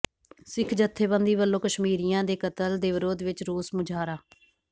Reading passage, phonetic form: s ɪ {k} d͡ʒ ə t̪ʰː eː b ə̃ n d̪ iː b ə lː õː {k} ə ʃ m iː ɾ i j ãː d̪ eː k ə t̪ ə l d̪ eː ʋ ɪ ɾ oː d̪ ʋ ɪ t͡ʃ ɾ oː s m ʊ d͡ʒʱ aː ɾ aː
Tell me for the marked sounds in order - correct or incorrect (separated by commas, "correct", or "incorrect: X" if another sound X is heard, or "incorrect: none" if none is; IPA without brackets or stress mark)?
incorrect: kʰ, correct